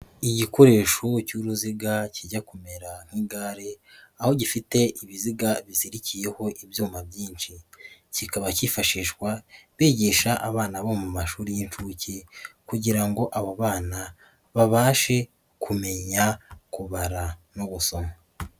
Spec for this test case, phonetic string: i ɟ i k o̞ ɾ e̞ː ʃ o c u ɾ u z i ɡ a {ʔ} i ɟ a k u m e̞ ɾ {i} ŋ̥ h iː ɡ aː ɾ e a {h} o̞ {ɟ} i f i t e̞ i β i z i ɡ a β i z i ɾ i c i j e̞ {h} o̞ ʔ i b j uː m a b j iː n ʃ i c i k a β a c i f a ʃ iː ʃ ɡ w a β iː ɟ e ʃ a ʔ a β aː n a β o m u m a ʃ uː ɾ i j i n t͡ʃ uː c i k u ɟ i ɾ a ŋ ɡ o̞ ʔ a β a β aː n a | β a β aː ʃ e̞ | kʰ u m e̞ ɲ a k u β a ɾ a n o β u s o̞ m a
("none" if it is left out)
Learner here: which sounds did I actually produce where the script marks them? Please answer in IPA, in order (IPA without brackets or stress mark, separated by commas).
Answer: c, a, h, ɟ, h